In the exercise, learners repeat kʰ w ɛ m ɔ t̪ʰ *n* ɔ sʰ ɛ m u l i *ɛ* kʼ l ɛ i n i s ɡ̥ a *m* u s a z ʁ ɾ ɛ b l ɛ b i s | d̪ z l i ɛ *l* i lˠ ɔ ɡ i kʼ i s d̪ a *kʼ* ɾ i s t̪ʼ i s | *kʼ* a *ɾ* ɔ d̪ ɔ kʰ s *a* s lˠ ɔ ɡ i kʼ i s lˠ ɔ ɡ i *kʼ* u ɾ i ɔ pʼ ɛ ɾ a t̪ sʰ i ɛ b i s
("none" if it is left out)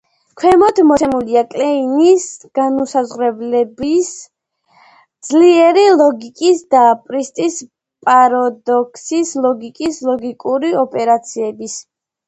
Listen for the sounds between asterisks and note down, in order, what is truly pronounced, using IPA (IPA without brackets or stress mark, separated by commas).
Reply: m, a, n, ɾ, pʼ, pʼ, ɾ, i, kʼ